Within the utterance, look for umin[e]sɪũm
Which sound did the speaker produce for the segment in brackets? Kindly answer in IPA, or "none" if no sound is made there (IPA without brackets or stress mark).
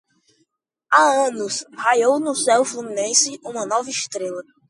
ẽ